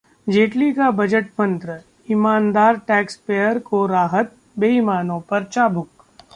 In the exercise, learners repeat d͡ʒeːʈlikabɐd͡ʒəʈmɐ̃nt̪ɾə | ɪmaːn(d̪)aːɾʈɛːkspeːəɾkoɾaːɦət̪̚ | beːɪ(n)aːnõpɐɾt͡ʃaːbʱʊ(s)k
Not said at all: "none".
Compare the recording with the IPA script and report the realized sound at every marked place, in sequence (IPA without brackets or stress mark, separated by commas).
d̪, m, none